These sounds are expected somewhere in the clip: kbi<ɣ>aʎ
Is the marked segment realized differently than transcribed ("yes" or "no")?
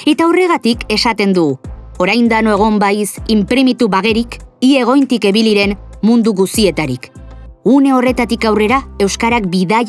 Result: yes